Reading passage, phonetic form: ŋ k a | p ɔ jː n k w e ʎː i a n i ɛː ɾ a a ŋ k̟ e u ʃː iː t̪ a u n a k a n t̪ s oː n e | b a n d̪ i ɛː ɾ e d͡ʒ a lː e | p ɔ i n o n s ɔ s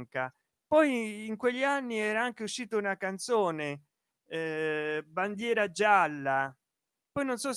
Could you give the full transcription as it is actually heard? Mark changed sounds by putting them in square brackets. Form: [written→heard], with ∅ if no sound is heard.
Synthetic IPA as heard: ŋ k a | p ɔ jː [n→ŋ] k w e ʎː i a [n→nː] i ɛː ɾ a a ŋ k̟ e u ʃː iː t̪ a u n a k a n t̪ s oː n e | b a n d̪ [i→j] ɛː ɾ [e→a] d͡ʒ a lː [e→a] | p ɔ [i→j] n o n s ɔ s